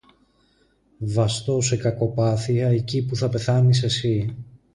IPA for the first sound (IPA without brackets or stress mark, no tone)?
v